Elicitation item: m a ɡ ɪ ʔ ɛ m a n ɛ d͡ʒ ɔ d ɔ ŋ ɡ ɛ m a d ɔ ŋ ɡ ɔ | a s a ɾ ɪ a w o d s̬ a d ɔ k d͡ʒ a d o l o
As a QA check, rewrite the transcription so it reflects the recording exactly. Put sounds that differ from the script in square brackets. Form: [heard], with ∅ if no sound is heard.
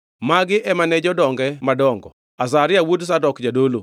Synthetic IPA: m a ɡ ɪ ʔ ɛ m a n ɛ d͡ʒ ɔ d ɔ ŋ ɡ ɛ m a d ɔ ŋ ɡ ɔ | a s a ɾ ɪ a w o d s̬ a d ɔ k d͡ʒ a d o l o